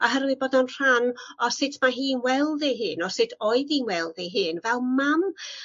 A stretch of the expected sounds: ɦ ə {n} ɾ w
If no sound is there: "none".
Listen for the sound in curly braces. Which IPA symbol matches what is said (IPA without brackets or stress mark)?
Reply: none